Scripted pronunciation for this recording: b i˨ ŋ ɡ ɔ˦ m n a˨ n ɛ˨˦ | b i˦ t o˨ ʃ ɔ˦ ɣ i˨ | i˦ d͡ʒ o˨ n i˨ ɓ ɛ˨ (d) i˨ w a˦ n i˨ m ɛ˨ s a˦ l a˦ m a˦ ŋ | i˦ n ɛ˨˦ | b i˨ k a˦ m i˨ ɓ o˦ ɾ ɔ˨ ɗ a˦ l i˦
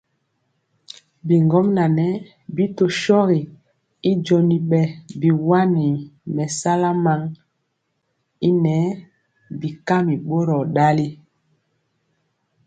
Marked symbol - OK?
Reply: no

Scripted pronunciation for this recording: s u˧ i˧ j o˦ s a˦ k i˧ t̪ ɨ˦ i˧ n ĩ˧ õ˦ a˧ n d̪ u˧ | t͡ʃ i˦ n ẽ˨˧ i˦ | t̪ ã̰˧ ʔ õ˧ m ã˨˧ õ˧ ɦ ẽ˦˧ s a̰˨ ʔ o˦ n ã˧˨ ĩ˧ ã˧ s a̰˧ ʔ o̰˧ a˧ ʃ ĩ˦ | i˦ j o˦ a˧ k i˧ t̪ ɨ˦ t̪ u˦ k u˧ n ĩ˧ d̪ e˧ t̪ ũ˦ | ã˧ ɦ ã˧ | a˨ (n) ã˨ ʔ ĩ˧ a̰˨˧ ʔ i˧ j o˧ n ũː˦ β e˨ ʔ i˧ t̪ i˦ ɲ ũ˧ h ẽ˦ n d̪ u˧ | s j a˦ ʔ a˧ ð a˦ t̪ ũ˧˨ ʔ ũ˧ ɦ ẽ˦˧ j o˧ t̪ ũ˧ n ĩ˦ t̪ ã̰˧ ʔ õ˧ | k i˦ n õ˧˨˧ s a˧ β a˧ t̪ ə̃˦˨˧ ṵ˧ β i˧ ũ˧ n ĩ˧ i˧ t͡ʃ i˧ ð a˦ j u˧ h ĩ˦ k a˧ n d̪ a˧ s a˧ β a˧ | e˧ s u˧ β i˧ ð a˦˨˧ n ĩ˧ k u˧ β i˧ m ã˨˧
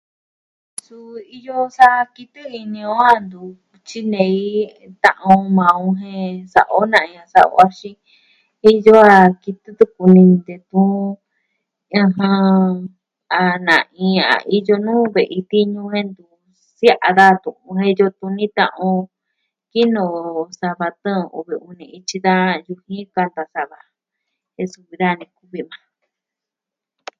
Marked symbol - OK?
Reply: yes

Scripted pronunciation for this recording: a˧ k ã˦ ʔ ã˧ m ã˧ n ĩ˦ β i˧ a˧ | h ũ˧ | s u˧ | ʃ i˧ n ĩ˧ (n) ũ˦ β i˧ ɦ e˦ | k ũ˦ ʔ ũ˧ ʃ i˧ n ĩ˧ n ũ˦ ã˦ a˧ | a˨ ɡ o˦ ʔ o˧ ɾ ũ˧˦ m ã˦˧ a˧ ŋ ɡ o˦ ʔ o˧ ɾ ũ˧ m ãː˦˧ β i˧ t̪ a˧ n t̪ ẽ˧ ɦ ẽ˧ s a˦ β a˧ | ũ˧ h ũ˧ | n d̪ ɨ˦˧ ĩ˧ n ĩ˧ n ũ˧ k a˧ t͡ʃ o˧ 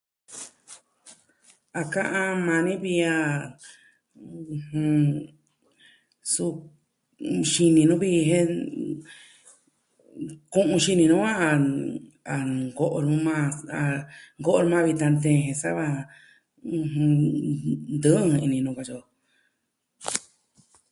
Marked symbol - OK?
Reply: yes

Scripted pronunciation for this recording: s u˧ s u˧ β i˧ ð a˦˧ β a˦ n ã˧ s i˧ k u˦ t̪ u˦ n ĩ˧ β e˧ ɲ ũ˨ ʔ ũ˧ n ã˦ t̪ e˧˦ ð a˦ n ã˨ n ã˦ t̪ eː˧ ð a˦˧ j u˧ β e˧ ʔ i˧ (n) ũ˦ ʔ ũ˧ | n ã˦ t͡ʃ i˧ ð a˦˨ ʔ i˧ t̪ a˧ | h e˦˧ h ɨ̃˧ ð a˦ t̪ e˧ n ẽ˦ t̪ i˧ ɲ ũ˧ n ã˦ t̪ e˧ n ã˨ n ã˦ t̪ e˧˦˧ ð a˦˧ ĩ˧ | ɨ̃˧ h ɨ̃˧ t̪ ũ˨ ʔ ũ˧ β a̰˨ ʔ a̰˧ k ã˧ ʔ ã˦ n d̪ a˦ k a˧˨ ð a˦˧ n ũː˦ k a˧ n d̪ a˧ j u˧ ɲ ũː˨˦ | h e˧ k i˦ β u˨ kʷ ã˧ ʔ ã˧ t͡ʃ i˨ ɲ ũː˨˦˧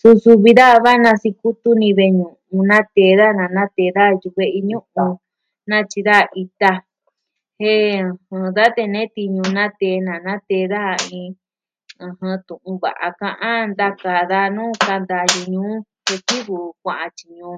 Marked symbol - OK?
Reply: no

